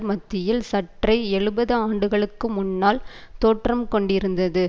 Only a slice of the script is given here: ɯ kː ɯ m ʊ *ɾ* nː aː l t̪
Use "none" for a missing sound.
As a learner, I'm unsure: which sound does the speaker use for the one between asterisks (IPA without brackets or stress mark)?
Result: none